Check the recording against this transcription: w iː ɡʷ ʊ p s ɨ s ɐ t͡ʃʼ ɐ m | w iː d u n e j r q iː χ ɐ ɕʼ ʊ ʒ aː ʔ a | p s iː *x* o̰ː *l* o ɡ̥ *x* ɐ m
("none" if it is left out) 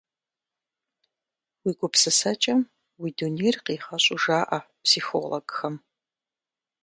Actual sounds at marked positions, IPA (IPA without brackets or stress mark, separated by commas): x, l, x